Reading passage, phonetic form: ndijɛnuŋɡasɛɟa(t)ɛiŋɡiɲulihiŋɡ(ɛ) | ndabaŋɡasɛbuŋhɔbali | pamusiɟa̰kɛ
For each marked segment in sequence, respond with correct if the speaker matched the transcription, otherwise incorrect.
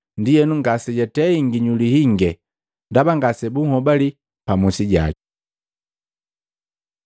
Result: correct, correct

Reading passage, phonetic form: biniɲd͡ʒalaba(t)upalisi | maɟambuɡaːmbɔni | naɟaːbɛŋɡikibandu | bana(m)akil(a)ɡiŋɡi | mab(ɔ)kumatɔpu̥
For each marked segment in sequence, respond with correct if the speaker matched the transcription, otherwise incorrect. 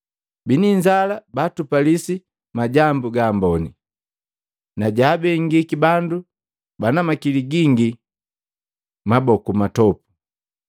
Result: correct, correct, incorrect, correct

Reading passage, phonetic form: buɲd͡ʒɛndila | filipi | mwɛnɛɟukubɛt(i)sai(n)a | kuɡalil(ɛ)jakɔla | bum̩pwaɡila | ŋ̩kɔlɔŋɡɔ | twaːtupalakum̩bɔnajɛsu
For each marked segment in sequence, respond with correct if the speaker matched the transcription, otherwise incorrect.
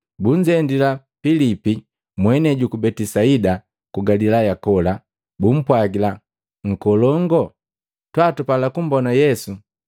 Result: correct, incorrect, incorrect

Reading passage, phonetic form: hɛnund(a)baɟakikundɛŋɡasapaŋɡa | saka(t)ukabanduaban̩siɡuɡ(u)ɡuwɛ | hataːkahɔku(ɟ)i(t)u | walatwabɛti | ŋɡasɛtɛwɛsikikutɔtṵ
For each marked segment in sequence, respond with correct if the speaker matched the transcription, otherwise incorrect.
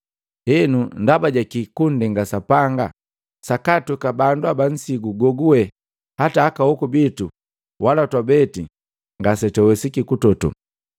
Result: correct, correct, incorrect, incorrect, correct

